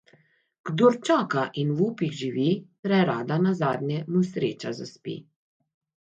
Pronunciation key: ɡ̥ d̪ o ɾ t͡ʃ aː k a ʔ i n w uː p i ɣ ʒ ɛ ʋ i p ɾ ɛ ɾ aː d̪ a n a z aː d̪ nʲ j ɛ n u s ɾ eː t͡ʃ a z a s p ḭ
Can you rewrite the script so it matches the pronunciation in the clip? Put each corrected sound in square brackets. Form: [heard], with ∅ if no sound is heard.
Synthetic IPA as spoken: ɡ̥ d̪ o ɾ t͡ʃ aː k a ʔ i n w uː p i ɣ ʒ [i] ʋ i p ɾ ɛ ɾ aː d̪ a n a z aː d̪ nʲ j ɛ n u s ɾ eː t͡ʃ a z a s p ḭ